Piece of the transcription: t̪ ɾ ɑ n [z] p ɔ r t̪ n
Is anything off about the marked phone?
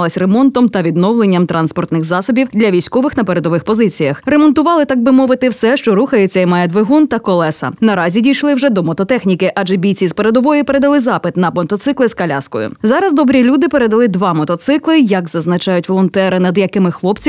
yes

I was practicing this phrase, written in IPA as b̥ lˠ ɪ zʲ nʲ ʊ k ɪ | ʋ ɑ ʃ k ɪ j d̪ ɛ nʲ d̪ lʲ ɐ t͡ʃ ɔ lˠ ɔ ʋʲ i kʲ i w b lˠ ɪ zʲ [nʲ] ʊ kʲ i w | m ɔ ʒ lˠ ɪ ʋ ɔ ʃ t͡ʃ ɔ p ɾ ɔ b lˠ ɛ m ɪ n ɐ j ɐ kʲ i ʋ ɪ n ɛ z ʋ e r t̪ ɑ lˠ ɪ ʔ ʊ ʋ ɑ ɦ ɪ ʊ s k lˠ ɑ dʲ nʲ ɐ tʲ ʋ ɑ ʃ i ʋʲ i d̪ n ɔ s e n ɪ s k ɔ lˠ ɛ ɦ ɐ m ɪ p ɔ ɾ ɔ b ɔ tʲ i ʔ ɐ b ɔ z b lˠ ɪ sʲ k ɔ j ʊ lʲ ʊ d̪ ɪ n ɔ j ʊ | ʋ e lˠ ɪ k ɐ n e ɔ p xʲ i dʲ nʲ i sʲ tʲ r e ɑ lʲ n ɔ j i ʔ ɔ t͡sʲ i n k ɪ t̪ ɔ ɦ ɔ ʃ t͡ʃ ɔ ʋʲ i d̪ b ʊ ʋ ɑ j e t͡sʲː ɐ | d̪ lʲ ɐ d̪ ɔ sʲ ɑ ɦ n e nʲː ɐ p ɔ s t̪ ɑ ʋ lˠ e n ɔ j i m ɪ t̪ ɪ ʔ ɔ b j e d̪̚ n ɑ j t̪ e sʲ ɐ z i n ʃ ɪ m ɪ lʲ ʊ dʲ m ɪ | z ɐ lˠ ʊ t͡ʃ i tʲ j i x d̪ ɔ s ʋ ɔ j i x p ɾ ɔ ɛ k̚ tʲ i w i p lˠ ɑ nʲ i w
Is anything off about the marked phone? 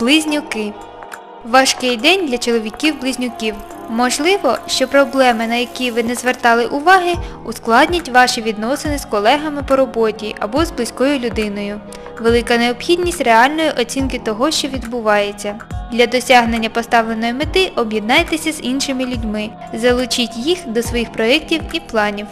no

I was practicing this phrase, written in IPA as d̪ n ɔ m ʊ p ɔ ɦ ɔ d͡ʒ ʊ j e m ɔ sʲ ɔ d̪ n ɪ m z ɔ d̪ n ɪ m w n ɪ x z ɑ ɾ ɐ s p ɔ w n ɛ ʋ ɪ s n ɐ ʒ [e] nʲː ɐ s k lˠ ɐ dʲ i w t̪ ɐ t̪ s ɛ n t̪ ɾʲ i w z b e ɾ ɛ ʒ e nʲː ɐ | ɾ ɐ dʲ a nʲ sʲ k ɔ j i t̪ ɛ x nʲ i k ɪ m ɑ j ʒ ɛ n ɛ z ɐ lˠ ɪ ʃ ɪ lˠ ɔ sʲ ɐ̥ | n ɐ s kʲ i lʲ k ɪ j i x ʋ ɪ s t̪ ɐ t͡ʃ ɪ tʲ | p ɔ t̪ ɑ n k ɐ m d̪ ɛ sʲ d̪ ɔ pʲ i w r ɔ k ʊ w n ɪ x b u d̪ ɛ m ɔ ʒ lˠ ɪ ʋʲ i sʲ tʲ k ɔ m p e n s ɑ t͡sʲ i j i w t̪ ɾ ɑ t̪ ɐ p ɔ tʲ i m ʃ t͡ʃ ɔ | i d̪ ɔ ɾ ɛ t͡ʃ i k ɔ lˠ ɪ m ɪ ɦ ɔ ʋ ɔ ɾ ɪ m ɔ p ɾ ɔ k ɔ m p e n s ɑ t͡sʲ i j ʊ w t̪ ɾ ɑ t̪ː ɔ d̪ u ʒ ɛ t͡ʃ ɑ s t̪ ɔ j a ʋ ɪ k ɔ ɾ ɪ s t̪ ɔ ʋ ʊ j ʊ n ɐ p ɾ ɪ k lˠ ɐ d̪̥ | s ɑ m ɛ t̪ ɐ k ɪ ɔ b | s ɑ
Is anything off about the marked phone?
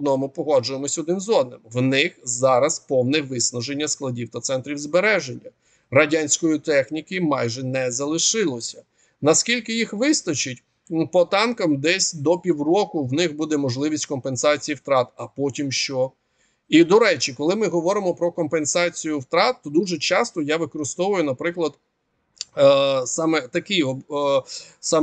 no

